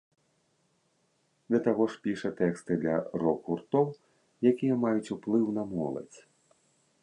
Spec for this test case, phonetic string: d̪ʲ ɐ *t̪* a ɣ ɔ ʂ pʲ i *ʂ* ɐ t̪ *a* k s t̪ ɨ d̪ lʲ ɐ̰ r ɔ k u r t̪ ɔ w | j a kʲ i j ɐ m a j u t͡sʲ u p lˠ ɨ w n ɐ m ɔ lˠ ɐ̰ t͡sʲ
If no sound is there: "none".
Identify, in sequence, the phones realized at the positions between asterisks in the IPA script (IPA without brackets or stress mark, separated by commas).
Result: t̪, ʂ, ɛ